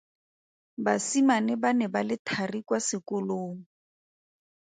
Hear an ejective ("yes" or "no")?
no